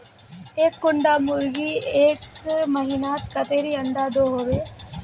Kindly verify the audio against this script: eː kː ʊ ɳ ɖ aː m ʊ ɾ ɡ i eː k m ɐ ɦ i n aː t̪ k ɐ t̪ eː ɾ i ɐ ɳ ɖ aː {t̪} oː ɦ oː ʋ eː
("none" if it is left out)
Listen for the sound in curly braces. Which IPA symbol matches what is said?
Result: d̪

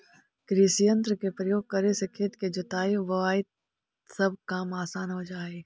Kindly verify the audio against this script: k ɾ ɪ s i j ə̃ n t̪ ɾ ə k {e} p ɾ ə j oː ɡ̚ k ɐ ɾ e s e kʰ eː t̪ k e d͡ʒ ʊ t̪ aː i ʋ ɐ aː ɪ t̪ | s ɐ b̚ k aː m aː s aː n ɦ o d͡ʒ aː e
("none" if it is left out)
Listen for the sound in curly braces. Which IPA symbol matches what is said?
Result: e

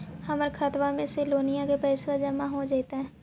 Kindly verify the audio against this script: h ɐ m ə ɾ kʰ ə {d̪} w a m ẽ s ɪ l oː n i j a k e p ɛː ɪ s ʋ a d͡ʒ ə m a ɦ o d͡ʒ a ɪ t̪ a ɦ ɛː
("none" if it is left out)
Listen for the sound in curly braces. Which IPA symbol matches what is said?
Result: t̪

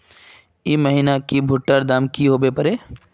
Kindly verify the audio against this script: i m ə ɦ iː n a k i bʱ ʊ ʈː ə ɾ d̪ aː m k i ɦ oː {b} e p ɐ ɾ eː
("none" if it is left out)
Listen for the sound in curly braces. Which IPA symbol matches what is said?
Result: b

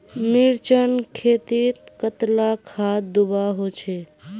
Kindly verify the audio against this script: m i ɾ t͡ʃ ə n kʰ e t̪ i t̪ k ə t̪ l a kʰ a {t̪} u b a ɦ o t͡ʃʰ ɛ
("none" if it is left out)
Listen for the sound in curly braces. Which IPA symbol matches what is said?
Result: d̪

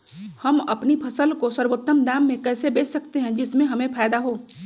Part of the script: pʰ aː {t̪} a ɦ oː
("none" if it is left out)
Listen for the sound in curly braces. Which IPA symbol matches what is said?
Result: d̪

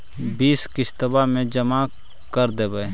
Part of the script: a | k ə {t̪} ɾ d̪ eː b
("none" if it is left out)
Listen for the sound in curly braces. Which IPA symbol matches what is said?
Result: none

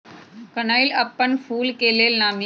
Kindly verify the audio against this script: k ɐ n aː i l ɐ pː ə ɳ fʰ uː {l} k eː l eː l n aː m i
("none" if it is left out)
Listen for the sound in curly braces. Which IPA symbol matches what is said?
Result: l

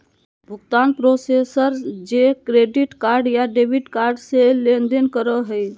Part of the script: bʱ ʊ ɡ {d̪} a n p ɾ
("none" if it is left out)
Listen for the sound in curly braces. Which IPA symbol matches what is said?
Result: t̪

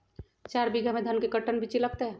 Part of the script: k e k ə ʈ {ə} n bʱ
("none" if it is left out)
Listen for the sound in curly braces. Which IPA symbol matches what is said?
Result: ə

